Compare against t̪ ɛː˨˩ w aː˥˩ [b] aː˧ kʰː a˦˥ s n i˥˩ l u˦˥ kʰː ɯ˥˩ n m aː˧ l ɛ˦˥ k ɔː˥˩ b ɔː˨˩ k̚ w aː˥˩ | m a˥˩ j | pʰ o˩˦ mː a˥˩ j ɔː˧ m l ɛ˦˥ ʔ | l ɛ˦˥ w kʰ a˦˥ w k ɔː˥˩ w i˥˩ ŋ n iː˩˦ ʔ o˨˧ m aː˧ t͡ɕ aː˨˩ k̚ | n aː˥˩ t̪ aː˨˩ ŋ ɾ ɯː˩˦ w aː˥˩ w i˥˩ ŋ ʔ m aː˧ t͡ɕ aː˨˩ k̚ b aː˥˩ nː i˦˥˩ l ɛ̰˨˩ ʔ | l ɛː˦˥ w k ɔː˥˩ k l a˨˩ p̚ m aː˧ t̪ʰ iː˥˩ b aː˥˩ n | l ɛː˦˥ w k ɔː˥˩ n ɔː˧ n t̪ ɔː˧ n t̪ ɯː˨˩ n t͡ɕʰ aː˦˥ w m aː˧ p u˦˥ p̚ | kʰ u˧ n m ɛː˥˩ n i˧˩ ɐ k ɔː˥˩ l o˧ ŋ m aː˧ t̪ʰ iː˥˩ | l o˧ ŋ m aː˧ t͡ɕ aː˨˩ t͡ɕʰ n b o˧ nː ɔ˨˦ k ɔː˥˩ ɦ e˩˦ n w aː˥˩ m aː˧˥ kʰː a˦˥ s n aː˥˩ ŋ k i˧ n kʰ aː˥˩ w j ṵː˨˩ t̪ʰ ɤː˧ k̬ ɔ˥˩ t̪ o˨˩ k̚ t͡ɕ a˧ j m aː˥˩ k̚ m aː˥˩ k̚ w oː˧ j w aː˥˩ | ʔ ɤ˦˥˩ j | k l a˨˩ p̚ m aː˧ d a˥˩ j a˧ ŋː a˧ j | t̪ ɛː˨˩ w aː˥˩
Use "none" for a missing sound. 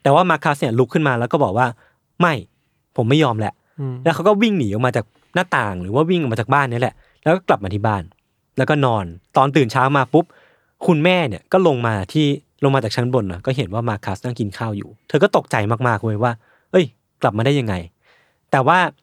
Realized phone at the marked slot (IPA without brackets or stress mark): m